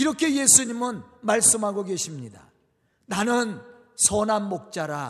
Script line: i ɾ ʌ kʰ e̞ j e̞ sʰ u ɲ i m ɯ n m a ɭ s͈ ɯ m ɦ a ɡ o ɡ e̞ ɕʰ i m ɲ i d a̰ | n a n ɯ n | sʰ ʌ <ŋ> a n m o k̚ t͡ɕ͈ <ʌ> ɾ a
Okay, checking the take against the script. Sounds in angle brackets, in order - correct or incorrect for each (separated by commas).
incorrect, incorrect